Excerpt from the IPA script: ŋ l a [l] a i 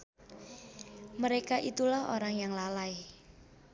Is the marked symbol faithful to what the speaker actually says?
yes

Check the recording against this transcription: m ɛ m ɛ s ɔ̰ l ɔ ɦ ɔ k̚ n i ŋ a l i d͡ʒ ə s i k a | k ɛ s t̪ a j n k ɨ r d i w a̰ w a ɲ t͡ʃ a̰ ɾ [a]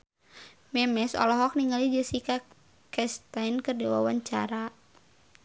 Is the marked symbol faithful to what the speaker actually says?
yes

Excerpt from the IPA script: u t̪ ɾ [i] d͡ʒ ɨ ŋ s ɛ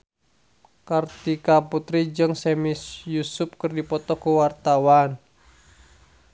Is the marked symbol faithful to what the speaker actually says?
yes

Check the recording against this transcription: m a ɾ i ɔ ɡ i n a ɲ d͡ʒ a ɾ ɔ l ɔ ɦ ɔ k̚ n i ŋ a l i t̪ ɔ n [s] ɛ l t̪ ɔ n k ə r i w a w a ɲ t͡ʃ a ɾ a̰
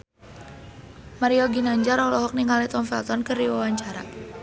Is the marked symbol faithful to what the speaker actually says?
no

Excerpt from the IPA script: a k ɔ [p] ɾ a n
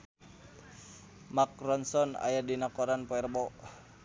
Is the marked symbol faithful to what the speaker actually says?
no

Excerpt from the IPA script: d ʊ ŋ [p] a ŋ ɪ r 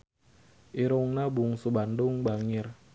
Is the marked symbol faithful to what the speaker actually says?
no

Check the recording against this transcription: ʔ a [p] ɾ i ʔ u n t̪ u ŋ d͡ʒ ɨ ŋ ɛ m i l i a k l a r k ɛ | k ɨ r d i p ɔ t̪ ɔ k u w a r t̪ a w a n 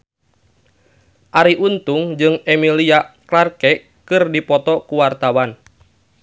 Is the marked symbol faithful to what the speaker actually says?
no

